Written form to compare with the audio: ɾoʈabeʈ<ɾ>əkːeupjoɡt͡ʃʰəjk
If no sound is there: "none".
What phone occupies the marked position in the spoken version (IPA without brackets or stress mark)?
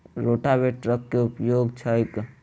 ɾ